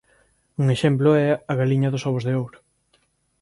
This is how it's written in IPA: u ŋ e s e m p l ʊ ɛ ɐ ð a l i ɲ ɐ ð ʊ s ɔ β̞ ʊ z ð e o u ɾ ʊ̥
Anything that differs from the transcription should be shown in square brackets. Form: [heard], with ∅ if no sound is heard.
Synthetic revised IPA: u ŋ e [ʃ] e m p l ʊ ɛ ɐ [ɣ] a l i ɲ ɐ ð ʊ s ɔ β̞ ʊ z ð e o [w] ɾ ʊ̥